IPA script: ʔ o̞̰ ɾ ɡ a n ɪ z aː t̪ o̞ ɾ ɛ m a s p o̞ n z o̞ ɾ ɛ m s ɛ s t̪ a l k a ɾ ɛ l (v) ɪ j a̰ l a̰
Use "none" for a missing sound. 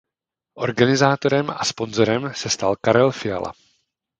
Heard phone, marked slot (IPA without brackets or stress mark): f